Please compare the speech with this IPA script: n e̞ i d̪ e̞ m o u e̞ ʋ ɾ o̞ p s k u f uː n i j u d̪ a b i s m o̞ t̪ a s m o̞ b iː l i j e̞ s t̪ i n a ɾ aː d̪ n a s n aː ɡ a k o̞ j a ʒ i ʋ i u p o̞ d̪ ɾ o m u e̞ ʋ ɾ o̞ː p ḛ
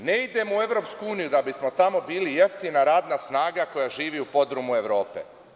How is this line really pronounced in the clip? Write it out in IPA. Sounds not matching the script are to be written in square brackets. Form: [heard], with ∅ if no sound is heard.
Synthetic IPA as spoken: n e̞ i d̪ e̞ m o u e̞ ʋ ɾ o̞ p s k u [∅] uː n i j u d̪ a b i s m o̞ t̪ a [∅] m o̞ b iː l i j e̞ [f] t̪ i n a ɾ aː d̪ n a s n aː ɡ a k o̞ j a ʒ [iː] ʋ i u p o̞ d̪ ɾ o m u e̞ ʋ ɾ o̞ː p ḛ